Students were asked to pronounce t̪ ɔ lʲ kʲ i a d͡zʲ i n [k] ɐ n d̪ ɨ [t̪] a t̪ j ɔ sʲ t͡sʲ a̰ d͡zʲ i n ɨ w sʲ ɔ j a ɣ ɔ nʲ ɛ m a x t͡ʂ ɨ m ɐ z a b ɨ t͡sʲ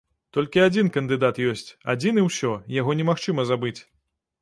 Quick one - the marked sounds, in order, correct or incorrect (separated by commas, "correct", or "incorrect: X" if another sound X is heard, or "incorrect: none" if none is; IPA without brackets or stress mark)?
correct, incorrect: d̪